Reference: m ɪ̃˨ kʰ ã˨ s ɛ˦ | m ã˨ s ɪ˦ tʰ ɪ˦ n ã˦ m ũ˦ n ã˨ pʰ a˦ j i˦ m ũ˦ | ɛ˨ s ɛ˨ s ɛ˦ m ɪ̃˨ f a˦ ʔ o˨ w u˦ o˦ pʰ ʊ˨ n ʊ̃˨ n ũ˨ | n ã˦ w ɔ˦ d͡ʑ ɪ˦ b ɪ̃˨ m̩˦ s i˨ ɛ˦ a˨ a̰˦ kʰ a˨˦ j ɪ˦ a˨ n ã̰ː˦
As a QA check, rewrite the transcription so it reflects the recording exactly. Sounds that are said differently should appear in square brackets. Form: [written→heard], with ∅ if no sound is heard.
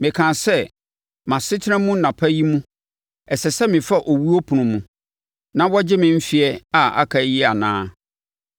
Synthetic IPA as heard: m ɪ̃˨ kʰ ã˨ s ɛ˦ | m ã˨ s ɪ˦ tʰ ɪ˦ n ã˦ m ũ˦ n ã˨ pʰ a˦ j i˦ m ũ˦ | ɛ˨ s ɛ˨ s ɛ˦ m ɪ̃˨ f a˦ ʔ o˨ w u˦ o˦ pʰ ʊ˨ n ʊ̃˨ [n→m] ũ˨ | n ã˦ w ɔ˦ d͡ʑ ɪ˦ [b→m] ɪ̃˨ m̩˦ [s→f] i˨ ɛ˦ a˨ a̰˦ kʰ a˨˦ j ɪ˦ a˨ n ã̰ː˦